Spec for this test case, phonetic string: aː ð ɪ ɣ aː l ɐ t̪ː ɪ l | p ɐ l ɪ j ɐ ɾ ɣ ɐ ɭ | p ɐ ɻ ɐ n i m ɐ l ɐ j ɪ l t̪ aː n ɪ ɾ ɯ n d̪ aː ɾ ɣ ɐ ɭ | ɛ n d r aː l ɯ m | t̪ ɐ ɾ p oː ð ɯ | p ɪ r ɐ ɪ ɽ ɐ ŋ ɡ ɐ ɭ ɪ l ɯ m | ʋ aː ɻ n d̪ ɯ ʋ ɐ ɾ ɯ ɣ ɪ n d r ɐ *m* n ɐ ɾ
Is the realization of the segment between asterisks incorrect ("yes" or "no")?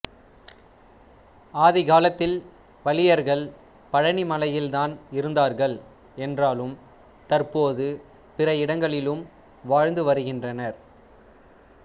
yes